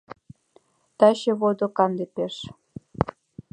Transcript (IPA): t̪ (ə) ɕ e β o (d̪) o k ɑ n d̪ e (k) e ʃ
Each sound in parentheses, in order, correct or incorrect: incorrect: ɑ, correct, incorrect: p

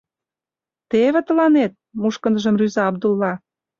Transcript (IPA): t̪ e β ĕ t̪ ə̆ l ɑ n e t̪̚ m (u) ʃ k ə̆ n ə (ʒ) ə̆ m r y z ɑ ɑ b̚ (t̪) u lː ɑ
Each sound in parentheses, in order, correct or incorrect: correct, correct, incorrect: d̪

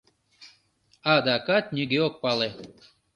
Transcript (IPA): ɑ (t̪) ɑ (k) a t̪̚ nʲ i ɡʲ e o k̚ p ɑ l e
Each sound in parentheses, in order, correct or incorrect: incorrect: d̪, correct

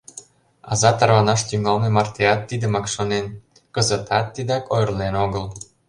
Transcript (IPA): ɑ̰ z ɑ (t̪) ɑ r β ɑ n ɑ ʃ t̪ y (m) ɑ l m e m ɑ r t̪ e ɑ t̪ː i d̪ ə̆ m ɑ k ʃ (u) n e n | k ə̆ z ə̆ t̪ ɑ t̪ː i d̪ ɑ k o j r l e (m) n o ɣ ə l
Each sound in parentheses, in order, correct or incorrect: correct, incorrect: ŋ, incorrect: o, incorrect: none

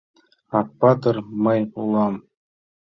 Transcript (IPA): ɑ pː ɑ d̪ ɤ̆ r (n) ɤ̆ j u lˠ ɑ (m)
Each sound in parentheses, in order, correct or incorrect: incorrect: m, correct

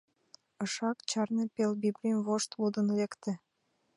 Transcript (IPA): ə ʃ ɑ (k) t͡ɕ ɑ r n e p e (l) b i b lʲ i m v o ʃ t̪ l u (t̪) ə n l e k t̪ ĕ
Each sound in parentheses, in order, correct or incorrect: correct, correct, incorrect: d̪

